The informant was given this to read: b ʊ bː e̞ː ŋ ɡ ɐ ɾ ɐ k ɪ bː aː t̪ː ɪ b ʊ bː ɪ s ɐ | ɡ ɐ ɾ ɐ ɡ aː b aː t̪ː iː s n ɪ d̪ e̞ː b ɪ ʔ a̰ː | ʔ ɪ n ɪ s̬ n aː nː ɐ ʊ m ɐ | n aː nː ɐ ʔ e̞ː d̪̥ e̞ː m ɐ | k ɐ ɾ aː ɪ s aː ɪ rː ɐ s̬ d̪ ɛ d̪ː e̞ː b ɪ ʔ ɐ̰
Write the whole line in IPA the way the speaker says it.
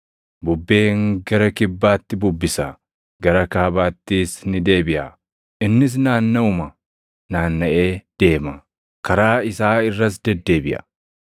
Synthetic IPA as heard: b ʊ bː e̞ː ŋ ɡ ɐ ɾ ɐ k ɪ bː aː t̪ː ɪ b ʊ bː ɪ s ɐ | ɡ ɐ ɾ ɐ k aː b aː t̪ː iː s n ɪ d̪ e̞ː b ɪ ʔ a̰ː | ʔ ɪ nː ɪ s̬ n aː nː ɐ ʊ m ɐ | n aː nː ɐ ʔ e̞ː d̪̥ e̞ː m ɐ | k ɐ ɾ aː ɪ s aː ɪ rː ɐ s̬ d̪ ɛ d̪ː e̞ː b ɪ ʔ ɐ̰